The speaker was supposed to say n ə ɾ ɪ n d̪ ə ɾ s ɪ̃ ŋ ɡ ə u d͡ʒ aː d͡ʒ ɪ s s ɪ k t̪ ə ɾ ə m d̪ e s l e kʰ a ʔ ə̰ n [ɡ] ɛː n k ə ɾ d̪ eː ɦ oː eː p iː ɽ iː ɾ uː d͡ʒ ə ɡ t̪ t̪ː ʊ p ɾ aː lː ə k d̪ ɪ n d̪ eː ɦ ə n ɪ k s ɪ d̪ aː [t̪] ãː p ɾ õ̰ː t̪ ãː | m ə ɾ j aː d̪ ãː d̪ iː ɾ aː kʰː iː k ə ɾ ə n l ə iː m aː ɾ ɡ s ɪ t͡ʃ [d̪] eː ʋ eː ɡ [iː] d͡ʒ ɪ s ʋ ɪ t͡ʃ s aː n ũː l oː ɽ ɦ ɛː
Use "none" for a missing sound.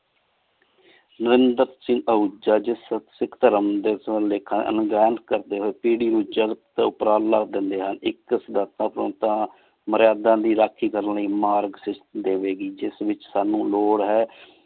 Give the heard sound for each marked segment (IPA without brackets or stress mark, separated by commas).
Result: ɡ, t̪, d̪, iː